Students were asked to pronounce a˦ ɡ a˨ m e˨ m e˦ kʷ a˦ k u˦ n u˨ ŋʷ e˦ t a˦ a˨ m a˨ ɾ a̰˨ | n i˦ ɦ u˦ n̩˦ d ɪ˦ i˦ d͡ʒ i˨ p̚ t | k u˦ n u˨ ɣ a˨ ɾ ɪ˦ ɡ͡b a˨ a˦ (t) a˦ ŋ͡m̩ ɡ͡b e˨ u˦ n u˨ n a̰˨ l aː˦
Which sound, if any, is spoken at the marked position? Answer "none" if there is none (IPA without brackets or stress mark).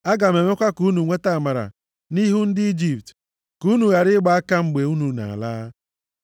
k